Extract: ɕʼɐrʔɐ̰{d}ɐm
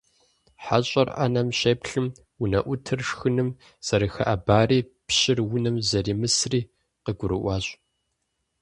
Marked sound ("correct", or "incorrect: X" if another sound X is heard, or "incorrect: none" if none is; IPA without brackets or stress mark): incorrect: n